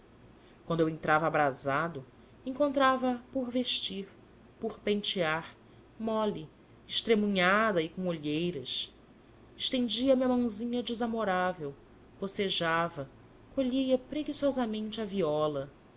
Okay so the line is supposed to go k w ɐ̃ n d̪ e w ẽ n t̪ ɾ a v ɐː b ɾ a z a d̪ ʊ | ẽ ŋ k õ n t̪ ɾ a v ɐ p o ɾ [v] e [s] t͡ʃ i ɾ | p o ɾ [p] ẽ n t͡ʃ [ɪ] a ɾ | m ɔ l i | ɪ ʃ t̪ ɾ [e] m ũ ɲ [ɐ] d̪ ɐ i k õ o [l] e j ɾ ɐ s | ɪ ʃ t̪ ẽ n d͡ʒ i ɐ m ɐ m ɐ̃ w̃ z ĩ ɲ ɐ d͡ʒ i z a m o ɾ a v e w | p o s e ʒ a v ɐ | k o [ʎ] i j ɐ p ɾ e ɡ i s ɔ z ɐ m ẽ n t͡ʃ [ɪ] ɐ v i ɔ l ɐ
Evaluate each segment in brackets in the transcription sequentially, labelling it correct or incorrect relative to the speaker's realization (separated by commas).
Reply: correct, incorrect, correct, incorrect, correct, incorrect, incorrect, correct, correct